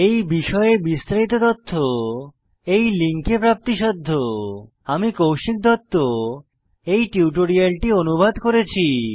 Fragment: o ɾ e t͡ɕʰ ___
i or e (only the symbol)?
i